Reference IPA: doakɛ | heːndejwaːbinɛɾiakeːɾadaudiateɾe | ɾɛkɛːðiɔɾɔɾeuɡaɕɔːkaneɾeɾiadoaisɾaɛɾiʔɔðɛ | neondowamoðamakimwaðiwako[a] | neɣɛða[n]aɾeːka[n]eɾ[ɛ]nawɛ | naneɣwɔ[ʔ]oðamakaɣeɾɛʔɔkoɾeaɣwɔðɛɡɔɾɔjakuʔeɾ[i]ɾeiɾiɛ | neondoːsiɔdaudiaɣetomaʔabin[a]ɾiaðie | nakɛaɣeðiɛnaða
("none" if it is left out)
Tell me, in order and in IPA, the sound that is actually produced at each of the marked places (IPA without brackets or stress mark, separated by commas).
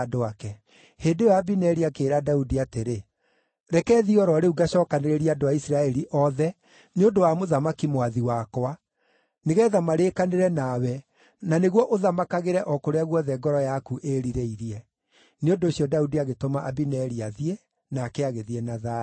a, m, n, ɛ, ʔ, i, ɛ